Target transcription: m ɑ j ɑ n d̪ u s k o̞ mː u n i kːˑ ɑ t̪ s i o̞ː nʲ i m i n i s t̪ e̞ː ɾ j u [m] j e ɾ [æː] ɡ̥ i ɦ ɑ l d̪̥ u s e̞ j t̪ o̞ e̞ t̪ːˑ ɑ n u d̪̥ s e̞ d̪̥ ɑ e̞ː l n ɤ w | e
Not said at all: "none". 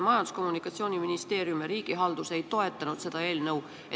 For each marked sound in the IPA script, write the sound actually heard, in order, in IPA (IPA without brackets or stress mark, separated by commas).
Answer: m, iː